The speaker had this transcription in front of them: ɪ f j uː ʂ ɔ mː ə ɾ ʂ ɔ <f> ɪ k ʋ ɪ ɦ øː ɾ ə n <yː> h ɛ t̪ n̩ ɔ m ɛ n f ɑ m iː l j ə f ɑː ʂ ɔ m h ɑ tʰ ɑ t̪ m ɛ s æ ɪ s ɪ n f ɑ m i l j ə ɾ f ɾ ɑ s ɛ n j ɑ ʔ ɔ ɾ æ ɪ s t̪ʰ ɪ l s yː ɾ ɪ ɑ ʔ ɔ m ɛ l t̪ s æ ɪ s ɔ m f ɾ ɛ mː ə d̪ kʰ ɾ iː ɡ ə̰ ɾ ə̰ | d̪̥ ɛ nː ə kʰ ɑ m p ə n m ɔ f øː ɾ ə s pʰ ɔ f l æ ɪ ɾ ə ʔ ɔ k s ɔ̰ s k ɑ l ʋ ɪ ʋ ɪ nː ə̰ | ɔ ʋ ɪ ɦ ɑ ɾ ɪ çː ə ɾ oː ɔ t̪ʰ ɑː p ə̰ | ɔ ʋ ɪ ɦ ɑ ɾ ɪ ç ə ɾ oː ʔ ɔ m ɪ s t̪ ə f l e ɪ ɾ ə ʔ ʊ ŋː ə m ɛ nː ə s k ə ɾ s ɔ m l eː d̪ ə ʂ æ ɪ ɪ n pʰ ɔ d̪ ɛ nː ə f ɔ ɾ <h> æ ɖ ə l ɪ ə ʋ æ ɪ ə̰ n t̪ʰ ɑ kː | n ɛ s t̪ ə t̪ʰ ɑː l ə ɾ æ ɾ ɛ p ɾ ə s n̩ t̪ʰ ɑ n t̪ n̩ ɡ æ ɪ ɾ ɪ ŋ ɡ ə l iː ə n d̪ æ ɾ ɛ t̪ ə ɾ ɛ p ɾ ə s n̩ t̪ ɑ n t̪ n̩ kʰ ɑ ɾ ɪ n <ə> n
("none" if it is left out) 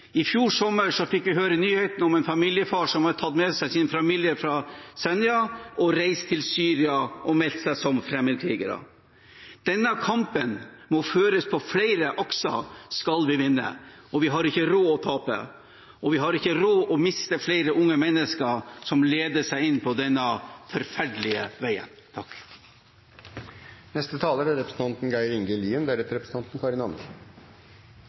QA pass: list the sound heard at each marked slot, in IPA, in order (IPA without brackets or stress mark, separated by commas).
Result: f, yː, f, ɑ